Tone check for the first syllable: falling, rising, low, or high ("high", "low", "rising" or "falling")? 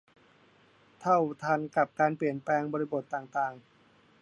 falling